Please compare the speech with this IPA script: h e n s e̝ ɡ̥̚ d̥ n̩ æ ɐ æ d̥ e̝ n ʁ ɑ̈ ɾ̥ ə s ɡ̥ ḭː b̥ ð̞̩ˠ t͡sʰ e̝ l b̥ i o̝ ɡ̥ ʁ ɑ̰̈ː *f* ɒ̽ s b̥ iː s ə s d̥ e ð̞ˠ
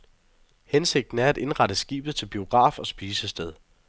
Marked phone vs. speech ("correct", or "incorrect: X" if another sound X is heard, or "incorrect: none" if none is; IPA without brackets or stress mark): correct